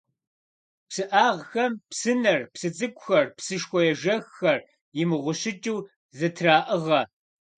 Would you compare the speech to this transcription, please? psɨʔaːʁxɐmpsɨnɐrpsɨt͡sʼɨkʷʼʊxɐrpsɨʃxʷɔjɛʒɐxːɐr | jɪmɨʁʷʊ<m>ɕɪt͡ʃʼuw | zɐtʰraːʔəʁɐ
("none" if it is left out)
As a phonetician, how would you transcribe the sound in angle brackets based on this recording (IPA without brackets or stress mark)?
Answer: none